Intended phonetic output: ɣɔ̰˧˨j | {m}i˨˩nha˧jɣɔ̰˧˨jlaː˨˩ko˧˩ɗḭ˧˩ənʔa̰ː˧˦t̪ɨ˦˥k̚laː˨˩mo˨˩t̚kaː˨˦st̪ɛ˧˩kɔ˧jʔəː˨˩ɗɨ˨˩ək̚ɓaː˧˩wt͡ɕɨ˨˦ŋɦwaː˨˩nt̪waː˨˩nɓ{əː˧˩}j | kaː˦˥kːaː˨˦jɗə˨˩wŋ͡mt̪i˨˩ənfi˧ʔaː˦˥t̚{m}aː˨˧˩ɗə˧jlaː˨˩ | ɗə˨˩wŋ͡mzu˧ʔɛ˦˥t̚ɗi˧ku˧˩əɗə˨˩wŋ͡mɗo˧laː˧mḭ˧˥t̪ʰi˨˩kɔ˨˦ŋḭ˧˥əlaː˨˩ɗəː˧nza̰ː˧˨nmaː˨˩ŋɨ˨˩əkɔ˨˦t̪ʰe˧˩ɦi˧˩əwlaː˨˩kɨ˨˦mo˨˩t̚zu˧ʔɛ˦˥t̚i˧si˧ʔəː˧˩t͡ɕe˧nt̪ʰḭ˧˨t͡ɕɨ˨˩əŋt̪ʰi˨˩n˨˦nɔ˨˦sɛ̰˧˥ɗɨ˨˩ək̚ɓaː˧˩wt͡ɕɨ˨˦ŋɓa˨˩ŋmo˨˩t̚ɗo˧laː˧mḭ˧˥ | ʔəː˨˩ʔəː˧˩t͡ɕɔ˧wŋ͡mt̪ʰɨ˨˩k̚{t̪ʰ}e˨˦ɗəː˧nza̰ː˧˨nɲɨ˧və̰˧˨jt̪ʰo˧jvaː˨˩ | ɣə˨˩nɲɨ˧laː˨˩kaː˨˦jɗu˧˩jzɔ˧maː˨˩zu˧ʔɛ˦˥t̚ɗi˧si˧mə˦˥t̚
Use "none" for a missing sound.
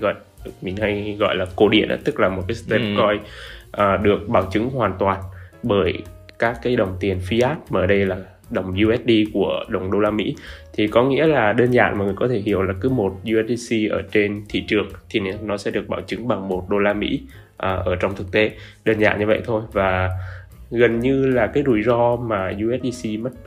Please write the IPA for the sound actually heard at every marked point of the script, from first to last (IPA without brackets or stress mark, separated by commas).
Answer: m, əː˧˩, m, t̪